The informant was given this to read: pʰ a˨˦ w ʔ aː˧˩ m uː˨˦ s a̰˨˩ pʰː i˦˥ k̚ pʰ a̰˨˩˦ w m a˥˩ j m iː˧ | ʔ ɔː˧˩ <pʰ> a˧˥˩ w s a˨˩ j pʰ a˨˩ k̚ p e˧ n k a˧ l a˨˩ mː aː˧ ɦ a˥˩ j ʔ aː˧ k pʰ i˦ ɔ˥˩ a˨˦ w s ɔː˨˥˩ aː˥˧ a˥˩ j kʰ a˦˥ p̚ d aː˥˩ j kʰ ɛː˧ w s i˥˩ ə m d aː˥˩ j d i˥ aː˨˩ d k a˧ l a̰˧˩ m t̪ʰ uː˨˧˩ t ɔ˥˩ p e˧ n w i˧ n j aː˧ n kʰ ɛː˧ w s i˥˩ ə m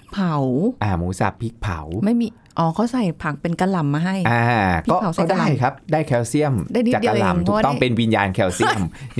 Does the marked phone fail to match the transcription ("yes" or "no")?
yes